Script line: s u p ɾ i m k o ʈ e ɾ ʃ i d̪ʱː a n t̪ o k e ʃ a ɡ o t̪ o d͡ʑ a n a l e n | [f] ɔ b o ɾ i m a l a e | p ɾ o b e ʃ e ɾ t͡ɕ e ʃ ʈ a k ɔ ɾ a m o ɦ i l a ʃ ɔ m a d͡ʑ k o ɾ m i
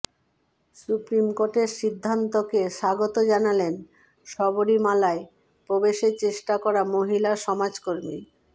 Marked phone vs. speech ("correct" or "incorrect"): incorrect